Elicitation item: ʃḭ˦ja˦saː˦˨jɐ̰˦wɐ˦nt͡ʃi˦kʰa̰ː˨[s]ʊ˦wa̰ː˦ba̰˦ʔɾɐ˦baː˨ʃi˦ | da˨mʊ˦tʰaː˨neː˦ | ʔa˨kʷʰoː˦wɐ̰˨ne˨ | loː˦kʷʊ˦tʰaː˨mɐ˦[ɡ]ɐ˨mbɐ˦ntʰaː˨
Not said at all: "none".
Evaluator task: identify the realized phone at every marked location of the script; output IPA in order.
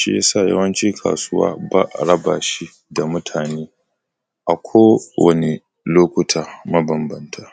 s, b

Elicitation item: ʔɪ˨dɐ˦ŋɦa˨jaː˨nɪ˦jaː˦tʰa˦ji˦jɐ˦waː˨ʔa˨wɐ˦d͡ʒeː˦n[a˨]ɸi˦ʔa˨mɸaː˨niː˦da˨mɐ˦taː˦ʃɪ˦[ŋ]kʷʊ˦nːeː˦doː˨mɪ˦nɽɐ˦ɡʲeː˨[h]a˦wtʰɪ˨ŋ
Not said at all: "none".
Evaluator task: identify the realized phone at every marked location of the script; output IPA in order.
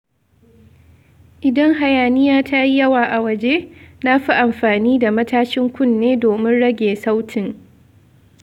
a˦, ŋ, s

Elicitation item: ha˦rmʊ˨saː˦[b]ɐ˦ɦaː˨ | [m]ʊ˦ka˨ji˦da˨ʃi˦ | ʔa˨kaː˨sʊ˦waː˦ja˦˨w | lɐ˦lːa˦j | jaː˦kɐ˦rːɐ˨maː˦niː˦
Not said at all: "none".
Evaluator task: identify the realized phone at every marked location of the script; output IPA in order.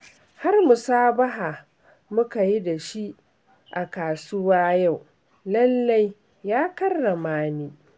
b, m

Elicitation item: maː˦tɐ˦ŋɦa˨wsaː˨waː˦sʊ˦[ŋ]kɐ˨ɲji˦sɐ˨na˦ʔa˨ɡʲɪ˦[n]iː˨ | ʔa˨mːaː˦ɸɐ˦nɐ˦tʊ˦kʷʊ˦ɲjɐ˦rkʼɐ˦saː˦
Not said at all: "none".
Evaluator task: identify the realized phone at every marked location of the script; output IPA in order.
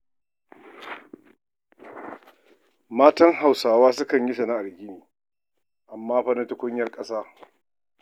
none, n

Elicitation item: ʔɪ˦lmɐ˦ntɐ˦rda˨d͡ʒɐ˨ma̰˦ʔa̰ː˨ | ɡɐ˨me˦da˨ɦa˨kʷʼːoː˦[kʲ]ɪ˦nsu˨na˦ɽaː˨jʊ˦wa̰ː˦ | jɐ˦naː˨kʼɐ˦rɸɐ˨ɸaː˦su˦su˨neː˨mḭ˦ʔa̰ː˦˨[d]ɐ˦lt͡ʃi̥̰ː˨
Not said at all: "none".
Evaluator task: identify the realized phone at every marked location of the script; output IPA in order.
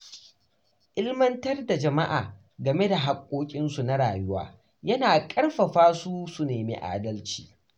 kʲʼ, d

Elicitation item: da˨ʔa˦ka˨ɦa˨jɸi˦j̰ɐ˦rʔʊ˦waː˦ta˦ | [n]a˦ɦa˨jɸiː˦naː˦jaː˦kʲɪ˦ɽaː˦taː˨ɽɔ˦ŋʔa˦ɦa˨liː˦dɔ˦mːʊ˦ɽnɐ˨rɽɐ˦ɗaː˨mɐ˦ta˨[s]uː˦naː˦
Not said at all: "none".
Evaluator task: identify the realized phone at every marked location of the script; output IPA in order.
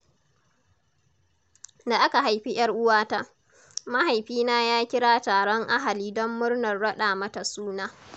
m, s

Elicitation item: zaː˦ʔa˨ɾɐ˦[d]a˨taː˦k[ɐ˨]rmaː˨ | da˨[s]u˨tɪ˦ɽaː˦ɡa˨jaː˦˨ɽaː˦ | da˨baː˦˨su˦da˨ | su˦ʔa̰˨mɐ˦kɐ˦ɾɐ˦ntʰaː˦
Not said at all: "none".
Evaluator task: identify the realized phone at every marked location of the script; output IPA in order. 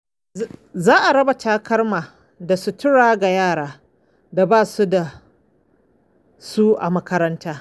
b, ɐ˦, s

